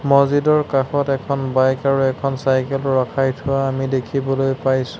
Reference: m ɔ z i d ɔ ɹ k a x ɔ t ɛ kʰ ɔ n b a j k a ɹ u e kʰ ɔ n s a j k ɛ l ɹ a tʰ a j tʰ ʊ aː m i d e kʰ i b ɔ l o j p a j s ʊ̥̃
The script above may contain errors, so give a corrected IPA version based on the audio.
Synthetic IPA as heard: m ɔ z i d ɔ ɹ k a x ɔ t ɛ kʰ ɔ n b a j k a ɹ u ɛ kʰ ɔ n s a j k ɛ l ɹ a kʰ a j tʰ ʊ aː m i d e kʰ i b ɔ l o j p a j s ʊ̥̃